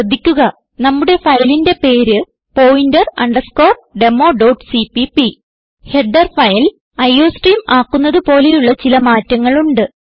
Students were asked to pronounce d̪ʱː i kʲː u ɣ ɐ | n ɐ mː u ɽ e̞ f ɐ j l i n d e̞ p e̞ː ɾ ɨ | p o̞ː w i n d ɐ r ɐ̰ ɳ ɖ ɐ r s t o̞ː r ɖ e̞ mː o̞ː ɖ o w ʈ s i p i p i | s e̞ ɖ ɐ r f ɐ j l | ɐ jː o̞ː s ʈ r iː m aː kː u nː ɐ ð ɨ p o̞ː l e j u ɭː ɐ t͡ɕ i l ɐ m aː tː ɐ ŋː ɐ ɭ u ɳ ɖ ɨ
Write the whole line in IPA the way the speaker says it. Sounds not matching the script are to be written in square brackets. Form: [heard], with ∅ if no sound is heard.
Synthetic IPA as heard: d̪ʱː i kʲː u ɣ ɐ | n ɐ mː u ɽ e̞ f ɐ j l i n d e̞ p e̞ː ɾ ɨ | p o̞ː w i n d ɐ r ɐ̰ ɳ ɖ ɐ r s [k] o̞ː r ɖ e̞ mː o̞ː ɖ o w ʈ s i p i p i | [h] e̞ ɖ ɐ r f ɐ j l | ɐ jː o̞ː s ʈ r iː m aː kː u nː ɐ ð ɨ p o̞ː l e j u ɭː ɐ t͡ɕ i l ɐ m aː tː ɐ ŋː ɐ ɭ u ɳ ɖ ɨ